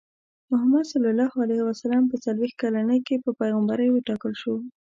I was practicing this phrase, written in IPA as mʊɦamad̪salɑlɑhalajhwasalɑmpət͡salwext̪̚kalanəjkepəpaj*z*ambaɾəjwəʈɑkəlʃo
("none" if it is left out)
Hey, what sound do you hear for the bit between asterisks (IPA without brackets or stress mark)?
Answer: ɣ